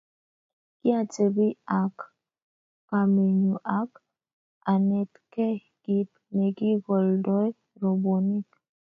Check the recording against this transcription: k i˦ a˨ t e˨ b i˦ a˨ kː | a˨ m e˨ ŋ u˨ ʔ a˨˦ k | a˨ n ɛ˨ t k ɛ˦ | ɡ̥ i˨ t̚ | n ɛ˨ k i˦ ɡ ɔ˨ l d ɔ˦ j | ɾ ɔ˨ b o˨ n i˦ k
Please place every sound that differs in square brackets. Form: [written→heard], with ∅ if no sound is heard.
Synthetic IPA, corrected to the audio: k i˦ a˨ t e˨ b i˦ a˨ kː | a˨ m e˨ [ŋ→ɲ] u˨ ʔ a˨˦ k | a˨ n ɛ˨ t k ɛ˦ | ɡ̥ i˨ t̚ | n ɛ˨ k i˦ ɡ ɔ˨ l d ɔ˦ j | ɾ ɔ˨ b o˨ n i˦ k